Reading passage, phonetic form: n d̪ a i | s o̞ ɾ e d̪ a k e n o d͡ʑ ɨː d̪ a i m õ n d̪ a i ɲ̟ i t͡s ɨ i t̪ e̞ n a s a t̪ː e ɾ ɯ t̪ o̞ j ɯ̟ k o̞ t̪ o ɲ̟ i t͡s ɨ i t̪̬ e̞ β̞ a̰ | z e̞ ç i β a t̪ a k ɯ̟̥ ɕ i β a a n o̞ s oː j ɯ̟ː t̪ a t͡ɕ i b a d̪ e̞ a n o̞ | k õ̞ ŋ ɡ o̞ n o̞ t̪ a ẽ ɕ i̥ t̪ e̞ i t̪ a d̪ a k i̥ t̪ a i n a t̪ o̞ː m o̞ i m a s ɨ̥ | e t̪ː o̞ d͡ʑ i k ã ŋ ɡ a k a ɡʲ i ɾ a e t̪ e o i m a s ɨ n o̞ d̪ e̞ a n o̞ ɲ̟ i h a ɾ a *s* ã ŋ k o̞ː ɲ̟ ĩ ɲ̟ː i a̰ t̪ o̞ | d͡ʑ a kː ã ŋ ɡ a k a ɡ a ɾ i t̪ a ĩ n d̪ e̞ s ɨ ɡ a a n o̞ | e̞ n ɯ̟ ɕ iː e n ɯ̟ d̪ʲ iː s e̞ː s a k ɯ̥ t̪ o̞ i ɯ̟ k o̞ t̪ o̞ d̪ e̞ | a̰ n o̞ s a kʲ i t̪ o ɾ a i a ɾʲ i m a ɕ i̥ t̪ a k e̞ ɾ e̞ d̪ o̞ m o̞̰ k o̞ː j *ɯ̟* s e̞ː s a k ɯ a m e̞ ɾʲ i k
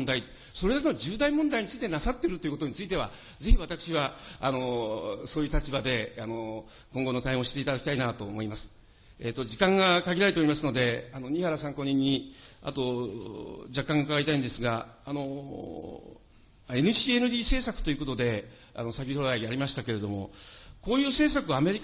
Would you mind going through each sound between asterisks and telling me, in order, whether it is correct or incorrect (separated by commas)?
correct, incorrect